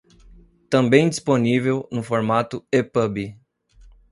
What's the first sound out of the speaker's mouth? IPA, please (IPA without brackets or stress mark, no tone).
t̪